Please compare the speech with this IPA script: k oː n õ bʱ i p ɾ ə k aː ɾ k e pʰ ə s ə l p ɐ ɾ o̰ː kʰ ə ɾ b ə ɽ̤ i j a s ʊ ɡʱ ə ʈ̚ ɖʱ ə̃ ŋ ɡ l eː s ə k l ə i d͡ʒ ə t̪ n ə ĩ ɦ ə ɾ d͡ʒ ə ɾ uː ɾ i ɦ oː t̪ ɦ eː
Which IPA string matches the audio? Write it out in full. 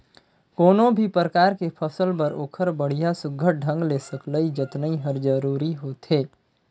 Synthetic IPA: k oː n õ bʱ i p ɾ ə k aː ɾ k e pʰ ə s ə l p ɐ ɾ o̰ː kʰ ə ɾ b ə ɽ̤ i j a s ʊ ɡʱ ə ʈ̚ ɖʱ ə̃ ŋ ɡ l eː s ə k l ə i d͡ʒ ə t̪ n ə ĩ ɦ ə ɾ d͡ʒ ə ɾ uː ɾ i ɦ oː t̪ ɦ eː